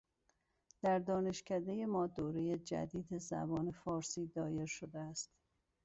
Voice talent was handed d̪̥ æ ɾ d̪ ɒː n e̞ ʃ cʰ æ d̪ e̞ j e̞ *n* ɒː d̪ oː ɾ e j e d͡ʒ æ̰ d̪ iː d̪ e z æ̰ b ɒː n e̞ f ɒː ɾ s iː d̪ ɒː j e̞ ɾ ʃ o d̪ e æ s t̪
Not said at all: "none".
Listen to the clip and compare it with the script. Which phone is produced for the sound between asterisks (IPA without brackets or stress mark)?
m